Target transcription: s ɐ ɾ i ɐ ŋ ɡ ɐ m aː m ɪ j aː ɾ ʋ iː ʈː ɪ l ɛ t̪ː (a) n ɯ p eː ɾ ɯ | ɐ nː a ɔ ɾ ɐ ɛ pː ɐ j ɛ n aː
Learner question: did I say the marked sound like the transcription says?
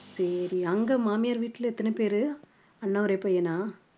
no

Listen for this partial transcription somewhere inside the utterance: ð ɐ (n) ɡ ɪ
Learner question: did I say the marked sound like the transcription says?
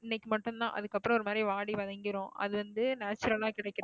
no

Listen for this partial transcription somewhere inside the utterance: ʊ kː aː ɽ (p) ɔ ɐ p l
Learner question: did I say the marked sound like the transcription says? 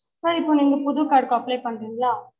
no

